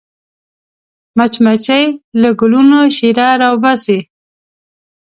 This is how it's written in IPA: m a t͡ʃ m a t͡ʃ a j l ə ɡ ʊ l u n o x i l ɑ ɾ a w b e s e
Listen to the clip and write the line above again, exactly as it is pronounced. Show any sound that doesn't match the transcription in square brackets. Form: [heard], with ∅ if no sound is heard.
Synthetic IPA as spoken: m a t͡ʃ m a t͡ʃ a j l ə ɡ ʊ l u n o [ʃ] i [ɾ] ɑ ɾ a w b [a] s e